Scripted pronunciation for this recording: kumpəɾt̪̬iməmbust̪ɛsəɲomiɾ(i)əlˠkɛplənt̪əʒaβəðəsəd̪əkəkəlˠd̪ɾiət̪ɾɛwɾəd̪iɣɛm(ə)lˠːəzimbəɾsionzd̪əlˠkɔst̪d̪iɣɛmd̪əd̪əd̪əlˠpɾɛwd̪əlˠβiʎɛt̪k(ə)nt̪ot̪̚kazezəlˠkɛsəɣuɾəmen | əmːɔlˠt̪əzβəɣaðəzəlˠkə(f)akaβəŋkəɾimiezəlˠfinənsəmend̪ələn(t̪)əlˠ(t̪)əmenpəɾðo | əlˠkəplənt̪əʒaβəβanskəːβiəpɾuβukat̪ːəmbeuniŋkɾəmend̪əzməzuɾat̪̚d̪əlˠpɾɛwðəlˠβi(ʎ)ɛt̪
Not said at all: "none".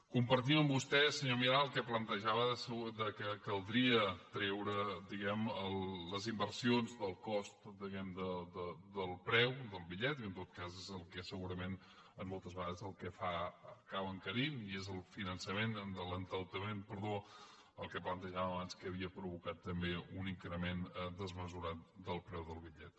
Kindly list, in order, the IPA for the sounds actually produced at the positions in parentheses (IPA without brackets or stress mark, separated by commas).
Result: a, ə, ə, f, t̪, t̪, ʎ